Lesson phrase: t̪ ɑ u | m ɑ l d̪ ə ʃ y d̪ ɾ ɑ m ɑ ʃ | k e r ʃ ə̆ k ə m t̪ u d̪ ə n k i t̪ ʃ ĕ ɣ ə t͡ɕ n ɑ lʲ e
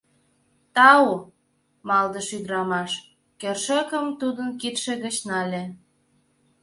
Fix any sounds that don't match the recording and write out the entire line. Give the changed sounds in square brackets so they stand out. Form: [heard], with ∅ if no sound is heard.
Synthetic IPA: t̪ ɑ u | m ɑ l d̪ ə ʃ y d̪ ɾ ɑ m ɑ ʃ | k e r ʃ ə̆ k ə m t̪ u d̪ ə n k i t̪ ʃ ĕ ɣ ə t͡ɕ n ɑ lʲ e